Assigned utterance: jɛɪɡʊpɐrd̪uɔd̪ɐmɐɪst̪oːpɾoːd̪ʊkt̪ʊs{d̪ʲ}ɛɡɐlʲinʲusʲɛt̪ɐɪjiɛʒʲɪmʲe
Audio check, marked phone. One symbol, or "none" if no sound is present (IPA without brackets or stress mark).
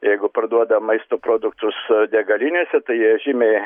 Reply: d̪ʲ